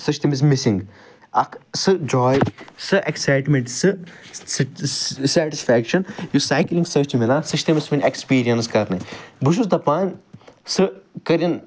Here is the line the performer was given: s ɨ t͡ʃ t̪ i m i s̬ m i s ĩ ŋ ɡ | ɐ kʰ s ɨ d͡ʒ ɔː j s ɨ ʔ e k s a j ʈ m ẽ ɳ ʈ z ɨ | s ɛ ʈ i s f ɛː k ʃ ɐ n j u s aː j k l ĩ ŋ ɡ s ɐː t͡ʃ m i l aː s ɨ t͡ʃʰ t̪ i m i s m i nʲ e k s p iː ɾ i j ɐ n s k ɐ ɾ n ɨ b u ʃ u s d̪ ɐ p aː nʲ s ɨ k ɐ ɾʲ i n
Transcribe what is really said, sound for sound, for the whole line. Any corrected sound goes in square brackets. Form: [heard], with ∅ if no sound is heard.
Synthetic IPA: s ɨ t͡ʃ t̪ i m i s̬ m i s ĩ ŋ ɡ | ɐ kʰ s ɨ d͡ʒ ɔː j s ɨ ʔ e k s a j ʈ m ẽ ɳ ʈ [s] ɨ | s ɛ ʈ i s f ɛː k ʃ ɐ n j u s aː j k l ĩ ŋ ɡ s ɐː t͡ʃ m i l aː s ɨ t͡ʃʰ t̪ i m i s m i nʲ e k s p iː ɾ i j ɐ n s k ɐ ɾ n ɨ b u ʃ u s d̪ ɐ p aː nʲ s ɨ k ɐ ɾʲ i n

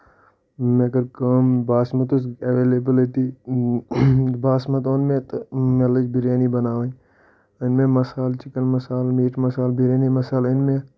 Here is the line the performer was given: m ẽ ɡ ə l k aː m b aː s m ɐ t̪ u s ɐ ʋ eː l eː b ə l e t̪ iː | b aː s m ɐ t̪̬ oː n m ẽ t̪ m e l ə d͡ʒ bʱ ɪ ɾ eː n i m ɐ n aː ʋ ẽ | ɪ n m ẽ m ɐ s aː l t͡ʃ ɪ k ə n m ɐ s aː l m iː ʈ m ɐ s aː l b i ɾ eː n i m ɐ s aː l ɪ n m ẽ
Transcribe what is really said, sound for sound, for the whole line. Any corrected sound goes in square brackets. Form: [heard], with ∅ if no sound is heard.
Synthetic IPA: m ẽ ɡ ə [ɾ] k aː m b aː s m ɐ t̪ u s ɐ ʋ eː l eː b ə l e t̪ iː | b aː s m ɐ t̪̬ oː n m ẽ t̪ m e l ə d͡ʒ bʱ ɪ ɾ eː n i [b] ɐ n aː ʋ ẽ | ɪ n m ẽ m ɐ s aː l t͡ʃ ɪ k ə n m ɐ s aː l m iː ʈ m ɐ s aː l b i ɾ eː n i m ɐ s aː l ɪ n m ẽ

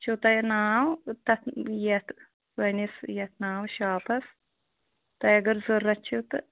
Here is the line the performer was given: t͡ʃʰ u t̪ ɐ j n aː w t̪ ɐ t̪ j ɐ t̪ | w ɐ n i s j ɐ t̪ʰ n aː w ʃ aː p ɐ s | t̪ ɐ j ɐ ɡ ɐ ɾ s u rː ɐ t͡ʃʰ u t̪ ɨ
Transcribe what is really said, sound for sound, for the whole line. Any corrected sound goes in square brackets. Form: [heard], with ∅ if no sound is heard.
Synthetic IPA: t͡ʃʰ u t̪ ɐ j n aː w t̪ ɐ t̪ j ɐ t̪ | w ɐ n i s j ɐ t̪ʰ n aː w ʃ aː p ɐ s | t̪ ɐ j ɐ ɡ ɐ ɾ [z] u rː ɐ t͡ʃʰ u t̪ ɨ

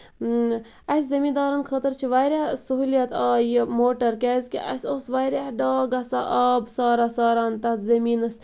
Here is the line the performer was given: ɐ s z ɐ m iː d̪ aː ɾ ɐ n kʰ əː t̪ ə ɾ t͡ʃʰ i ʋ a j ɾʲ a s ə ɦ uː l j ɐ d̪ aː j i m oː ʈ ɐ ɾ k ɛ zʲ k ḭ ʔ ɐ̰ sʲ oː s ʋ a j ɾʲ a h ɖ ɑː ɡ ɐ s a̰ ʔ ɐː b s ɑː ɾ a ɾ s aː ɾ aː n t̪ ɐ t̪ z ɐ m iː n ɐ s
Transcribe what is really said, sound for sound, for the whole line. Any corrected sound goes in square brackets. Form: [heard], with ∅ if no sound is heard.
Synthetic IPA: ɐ s z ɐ m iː d̪ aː ɾ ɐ n kʰ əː t̪ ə ɾ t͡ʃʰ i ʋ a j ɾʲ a s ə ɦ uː l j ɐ [t̪] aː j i m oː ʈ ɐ ɾ k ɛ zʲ k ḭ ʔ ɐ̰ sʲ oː s ʋ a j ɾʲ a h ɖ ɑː ɡ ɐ s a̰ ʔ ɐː b s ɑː ɾ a [∅] s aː ɾ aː n t̪ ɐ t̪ z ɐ m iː n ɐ s

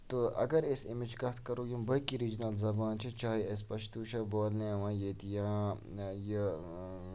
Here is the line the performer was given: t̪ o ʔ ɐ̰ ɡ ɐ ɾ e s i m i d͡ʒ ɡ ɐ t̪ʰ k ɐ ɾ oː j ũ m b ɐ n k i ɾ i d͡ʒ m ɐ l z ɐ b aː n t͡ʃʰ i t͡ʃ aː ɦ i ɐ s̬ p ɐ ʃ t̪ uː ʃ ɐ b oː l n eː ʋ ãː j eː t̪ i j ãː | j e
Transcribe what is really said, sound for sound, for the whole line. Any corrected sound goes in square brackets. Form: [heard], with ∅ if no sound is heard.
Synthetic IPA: t̪ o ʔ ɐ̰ ɡ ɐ ɾ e s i m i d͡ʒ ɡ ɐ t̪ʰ k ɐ ɾ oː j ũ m b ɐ [∅] k i ɾ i d͡ʒ [n] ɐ l z ɐ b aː n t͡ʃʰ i t͡ʃ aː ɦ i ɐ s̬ p ɐ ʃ t̪ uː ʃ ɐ b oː l n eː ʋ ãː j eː t̪ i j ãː | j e

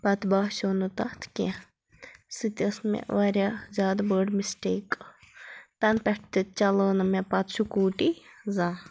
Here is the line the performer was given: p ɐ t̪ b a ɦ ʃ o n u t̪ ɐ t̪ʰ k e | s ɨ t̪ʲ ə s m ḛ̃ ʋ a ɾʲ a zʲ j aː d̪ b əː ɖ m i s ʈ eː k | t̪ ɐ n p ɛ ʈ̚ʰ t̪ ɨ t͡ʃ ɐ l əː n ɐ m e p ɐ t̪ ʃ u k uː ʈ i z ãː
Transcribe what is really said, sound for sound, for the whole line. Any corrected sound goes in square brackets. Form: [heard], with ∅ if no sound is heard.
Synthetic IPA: p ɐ t̪ b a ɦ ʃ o n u t̪ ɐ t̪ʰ k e | s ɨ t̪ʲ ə s m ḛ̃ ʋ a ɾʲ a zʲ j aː d̪ b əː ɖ m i s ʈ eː k | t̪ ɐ n p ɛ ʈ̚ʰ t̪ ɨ t͡ʃ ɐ l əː n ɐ m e p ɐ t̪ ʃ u k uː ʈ i z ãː

